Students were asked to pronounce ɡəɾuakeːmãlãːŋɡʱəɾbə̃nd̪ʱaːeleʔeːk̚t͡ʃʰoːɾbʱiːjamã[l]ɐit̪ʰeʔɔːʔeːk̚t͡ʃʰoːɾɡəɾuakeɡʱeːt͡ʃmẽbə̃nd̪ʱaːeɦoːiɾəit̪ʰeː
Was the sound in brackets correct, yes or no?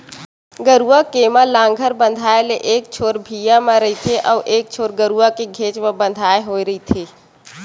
no